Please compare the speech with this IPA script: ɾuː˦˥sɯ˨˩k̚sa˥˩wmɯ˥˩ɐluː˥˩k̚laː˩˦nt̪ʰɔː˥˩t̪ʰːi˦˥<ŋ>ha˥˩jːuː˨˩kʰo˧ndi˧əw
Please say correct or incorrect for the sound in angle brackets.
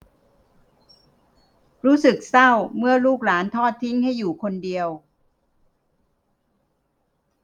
correct